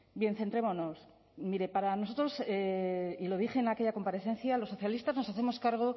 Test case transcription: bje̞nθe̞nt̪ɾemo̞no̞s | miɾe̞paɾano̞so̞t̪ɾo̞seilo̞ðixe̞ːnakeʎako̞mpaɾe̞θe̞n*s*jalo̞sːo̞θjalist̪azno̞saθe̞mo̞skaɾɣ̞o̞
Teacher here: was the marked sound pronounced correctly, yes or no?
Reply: no